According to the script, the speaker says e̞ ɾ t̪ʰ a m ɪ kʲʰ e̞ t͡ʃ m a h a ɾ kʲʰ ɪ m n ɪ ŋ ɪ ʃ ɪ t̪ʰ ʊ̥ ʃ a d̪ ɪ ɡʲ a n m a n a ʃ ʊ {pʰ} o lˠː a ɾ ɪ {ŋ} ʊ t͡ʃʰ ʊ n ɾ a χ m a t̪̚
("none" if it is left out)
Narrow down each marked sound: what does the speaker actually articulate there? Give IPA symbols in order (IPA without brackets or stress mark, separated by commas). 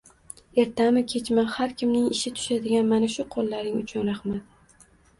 qʰ, ŋ